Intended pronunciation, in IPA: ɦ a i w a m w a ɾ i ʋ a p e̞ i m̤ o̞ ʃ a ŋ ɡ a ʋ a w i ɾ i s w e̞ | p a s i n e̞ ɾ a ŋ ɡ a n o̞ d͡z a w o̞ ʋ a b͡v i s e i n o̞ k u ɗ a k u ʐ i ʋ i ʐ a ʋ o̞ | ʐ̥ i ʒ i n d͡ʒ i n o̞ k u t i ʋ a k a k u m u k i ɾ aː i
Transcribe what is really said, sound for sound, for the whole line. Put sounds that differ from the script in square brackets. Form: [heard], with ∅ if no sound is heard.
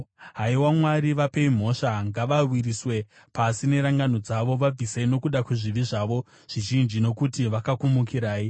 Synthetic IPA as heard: ɦ a i w a m w a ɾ i ʋ a p e̞ i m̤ o̞ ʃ a ŋ ɡ a ʋ a w i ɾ i s w e̞ | p a s i n e̞ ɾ a ŋ ɡ a n o̞ d͡z a [ʋ] o̞ ʋ a b͡v i s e i n o̞ k u ɗ a k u ʐ i ʋ i ʐ a ʋ o̞ | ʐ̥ i ʒ i n d͡ʒ i n o̞ k u t i ʋ a k a k u m u k i ɾ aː i